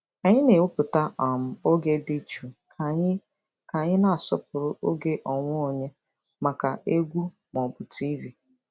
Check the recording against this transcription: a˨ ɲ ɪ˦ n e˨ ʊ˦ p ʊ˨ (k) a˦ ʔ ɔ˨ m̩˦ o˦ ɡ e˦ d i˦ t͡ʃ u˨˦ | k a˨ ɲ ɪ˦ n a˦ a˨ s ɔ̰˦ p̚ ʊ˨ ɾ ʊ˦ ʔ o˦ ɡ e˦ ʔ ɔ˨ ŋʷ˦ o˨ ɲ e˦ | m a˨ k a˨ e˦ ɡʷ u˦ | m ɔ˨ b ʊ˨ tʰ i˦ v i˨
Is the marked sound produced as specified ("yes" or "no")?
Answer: no